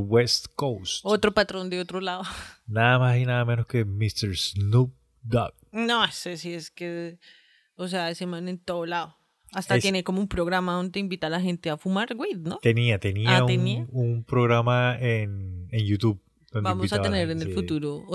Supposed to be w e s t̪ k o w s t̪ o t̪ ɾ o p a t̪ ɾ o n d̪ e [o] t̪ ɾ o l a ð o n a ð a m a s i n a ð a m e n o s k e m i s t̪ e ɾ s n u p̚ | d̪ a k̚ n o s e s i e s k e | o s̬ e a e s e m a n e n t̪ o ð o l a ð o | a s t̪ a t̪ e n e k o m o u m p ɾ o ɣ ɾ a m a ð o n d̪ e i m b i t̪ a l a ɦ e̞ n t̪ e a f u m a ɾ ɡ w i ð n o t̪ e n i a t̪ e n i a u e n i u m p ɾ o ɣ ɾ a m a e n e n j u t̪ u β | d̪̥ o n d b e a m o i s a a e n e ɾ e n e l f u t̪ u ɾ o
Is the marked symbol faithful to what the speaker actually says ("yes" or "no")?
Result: yes